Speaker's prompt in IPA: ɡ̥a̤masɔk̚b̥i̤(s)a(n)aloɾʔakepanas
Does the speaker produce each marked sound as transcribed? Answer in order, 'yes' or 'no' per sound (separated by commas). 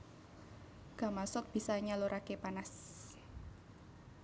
yes, no